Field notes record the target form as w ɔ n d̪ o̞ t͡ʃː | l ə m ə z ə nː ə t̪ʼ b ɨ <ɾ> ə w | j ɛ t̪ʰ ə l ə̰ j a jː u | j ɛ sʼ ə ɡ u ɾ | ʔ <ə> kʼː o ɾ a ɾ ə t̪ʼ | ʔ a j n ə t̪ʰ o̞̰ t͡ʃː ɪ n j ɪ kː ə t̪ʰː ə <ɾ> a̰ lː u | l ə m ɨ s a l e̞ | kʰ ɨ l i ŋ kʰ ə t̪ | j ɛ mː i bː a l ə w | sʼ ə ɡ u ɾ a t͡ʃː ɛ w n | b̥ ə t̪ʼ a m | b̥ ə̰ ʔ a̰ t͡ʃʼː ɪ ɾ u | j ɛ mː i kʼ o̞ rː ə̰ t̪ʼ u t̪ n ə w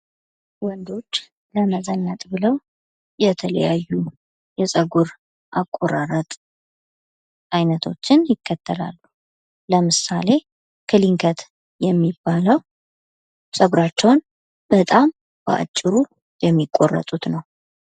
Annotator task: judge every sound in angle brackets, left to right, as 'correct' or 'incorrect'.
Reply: incorrect, incorrect, incorrect

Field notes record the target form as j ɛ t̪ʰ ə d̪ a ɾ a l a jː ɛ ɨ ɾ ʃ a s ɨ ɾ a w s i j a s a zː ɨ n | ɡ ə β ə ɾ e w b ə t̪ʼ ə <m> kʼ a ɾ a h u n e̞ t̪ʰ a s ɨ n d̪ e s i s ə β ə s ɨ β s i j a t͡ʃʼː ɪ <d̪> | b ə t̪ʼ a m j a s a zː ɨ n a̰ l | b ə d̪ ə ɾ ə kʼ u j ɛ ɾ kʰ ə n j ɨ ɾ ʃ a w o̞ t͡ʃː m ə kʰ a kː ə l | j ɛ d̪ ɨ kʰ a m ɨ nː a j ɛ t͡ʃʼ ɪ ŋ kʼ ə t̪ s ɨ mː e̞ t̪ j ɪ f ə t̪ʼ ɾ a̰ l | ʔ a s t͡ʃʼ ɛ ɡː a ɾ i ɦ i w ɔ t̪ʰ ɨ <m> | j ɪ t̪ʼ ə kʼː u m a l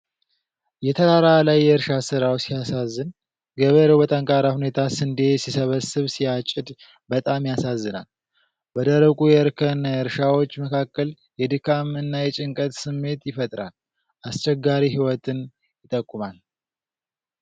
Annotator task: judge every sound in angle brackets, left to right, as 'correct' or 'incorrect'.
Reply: incorrect, correct, incorrect

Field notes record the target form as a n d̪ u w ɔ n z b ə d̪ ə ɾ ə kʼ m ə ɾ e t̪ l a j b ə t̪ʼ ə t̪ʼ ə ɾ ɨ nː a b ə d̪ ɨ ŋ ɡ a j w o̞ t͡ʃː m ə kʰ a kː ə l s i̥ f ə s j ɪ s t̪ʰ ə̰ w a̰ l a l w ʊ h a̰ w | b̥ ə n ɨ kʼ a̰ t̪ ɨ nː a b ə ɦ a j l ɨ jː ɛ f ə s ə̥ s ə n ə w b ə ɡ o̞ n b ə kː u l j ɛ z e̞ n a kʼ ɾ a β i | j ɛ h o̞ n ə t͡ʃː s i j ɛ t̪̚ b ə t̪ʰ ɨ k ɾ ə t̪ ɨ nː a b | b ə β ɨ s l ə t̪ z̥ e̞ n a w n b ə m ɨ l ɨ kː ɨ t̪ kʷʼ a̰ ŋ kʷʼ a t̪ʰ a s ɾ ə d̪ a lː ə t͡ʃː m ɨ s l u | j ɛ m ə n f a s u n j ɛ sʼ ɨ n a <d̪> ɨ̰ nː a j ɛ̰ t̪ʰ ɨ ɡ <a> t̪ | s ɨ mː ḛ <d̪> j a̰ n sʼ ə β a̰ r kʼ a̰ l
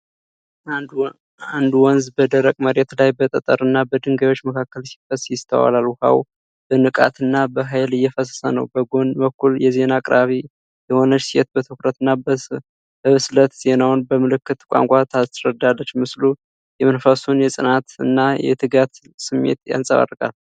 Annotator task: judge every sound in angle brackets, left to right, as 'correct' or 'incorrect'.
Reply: incorrect, correct, incorrect

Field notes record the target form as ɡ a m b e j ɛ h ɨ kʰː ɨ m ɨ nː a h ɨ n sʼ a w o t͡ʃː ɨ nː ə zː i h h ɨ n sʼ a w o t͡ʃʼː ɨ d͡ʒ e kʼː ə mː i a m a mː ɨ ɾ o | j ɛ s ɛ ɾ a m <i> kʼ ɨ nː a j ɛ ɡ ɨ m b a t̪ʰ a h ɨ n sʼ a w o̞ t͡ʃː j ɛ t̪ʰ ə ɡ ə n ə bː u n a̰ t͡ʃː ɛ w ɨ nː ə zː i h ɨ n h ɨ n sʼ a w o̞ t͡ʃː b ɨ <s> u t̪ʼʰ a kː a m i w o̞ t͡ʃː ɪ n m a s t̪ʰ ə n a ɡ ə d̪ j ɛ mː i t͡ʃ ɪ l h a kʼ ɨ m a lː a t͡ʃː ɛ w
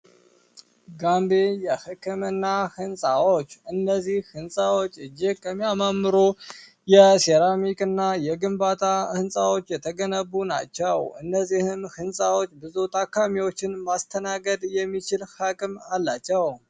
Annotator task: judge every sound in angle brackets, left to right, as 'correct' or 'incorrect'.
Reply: correct, incorrect

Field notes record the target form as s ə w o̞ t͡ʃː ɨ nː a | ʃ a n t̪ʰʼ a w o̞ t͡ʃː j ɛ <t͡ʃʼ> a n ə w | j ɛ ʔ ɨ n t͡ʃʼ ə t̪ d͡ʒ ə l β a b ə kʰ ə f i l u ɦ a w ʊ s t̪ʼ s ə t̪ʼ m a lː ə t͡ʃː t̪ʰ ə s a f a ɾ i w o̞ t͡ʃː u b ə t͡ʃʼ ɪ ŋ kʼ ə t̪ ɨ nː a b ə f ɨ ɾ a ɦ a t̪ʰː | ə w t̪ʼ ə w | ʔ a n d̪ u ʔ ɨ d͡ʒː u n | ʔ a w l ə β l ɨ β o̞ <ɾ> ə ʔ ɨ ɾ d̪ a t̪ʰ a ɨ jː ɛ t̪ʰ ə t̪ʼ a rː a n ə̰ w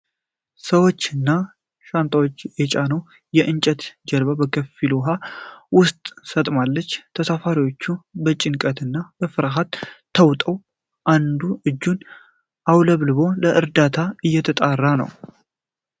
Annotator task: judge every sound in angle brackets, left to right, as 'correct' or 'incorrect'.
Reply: correct, incorrect

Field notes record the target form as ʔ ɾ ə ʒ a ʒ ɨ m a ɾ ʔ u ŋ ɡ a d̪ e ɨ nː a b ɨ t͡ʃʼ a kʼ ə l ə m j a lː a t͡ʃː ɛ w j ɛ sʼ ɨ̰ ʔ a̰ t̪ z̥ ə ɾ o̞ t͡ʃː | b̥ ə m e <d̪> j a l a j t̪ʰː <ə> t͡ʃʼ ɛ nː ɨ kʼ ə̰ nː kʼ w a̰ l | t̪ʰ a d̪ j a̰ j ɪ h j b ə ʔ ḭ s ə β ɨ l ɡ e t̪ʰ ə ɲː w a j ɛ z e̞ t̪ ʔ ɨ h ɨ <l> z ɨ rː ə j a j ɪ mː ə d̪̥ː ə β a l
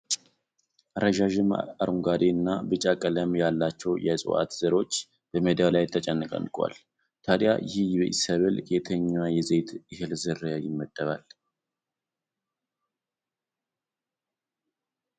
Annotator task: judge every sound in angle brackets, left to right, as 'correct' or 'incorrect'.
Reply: correct, correct, correct

